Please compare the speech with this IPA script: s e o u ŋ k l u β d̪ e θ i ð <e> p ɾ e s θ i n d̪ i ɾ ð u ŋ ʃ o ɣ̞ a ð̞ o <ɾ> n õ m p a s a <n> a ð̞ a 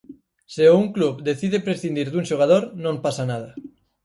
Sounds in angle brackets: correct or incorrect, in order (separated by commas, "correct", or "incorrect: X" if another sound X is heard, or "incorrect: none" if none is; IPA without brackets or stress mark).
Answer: correct, correct, correct